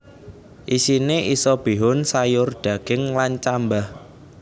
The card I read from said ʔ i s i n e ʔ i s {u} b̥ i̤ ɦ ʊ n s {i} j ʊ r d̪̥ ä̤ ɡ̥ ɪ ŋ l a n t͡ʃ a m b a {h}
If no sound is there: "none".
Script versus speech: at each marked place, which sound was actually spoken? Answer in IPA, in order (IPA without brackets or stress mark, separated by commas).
ɔ, a, h